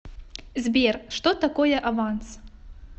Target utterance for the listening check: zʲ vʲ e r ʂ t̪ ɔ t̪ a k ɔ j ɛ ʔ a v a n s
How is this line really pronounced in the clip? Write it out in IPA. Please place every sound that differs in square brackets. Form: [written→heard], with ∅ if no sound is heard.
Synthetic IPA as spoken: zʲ [vʲ→bʲ] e r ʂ t̪ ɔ t̪ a k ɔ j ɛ ʔ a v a n s